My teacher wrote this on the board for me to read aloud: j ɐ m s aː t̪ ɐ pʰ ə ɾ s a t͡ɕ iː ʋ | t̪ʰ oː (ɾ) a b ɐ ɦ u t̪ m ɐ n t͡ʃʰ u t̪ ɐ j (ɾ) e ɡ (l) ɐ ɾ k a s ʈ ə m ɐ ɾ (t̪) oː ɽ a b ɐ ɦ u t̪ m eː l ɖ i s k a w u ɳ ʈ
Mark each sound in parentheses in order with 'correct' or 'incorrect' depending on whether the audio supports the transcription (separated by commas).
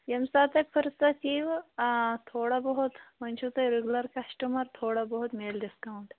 incorrect, correct, correct, incorrect